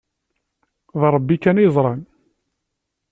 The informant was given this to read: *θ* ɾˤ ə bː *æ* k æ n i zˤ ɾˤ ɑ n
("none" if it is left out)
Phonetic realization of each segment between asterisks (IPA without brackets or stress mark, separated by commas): ð, i